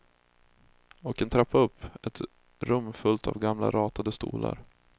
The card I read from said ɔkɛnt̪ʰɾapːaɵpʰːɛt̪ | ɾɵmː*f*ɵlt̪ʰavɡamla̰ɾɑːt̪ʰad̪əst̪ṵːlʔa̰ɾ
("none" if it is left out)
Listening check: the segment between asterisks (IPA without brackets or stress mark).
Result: f